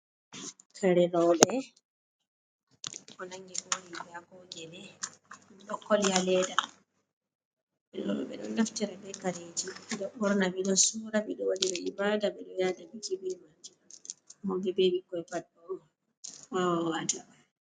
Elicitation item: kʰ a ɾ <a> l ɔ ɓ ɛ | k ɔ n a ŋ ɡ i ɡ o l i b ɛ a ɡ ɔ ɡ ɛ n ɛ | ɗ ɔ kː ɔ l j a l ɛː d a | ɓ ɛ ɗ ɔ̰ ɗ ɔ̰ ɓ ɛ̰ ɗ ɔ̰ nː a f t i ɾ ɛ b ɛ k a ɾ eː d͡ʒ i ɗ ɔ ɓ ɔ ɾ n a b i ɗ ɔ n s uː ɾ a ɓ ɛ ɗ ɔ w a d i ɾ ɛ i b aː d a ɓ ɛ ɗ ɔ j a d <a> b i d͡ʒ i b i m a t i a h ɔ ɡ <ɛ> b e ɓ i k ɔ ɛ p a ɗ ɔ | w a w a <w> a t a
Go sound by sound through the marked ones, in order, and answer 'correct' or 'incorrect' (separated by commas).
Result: incorrect, correct, correct, correct